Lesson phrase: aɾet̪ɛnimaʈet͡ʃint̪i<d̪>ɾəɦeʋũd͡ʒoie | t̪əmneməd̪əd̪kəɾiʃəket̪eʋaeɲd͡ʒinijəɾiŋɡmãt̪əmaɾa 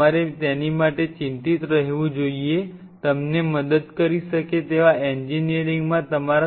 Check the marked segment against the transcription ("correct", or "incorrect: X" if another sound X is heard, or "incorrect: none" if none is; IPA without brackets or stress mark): incorrect: t̪